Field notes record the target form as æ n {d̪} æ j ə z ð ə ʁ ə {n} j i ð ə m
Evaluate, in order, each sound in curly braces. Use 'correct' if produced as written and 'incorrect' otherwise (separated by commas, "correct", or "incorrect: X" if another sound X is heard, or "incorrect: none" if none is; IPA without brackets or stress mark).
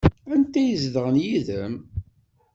incorrect: t̪, correct